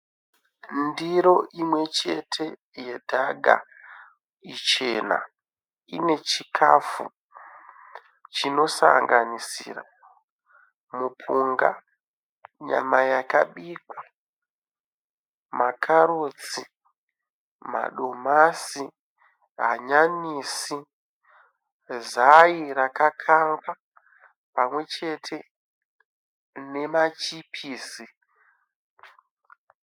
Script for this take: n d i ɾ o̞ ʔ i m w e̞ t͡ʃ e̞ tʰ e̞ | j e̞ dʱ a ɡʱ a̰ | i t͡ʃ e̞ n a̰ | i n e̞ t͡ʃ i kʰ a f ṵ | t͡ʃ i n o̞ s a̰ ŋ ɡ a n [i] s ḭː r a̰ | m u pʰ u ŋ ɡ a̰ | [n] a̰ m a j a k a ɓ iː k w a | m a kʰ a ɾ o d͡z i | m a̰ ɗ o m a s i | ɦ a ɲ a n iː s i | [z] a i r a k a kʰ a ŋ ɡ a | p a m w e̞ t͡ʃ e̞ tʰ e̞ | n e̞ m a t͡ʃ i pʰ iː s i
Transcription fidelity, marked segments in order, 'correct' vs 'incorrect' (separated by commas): correct, incorrect, correct